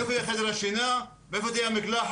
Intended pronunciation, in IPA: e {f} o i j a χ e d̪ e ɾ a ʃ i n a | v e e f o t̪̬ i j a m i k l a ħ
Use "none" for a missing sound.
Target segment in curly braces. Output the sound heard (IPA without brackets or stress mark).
f